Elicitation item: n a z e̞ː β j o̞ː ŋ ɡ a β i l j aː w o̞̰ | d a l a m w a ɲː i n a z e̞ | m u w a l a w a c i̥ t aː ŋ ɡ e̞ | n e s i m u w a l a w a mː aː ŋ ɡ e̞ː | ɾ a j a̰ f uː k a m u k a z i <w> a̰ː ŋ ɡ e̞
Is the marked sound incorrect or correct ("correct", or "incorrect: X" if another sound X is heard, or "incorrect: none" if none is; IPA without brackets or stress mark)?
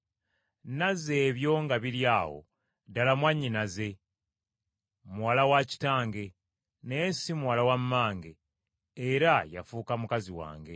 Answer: correct